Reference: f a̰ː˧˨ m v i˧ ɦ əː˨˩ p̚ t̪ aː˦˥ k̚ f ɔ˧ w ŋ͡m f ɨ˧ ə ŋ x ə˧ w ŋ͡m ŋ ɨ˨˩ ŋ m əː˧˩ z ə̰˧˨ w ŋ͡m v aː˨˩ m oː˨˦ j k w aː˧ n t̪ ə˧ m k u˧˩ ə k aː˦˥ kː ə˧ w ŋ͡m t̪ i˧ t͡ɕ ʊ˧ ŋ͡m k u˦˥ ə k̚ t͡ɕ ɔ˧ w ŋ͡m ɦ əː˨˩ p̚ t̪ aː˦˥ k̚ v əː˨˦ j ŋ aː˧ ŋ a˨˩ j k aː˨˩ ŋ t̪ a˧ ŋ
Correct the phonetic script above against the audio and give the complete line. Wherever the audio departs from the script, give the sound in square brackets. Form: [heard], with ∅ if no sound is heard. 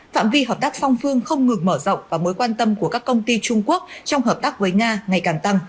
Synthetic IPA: f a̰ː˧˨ m v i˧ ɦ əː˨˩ p̚ t̪ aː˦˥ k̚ f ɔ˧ w ŋ͡m f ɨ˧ ə ŋ x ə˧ w ŋ͡m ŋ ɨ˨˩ ŋ m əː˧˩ z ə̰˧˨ w ŋ͡m v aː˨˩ m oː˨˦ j k w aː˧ n t̪ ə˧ m k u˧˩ ə k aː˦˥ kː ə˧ w ŋ͡m t̪ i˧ t͡ɕ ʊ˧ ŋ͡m k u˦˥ ə k̚ t͡ɕ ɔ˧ w ŋ͡m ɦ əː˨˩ p̚ t̪ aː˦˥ k̚ v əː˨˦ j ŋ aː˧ ŋ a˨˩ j k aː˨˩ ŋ t̪ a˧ ŋ